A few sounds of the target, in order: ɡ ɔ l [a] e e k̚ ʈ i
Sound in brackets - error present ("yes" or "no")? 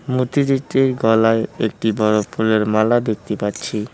no